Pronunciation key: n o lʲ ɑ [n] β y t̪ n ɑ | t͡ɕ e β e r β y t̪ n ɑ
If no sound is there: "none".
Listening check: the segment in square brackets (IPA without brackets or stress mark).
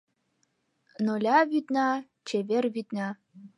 none